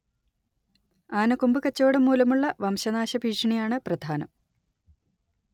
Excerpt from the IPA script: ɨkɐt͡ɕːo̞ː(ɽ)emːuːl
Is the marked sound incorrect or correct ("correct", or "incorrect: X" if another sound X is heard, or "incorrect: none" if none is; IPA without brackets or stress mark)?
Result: correct